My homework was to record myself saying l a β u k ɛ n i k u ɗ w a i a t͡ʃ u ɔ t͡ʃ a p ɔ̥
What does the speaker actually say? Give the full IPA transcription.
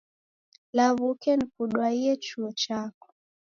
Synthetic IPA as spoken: l a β u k ɛ n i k u ɗ w a i ɛ t͡ʃ u ɔ t͡ʃ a k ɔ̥